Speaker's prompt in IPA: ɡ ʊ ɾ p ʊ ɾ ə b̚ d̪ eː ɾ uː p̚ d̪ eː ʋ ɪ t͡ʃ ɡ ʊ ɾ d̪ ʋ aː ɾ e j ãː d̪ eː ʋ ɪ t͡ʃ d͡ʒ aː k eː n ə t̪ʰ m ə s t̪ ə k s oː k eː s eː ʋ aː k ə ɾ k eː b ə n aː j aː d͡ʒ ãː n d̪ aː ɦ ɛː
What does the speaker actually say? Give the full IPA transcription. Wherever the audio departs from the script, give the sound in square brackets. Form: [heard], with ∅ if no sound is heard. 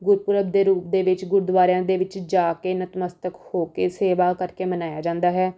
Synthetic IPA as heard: ɡ ʊ ɾ p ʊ ɾ ə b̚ d̪ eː ɾ uː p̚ d̪ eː ʋ ɪ t͡ʃ ɡ ʊ ɾ d̪ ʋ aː ɾ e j ãː d̪ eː ʋ ɪ t͡ʃ d͡ʒ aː k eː n ə [t̪] m ə s t̪ ə k [h] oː k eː s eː ʋ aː k ə ɾ k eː [m] ə n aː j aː d͡ʒ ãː n d̪ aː ɦ ɛː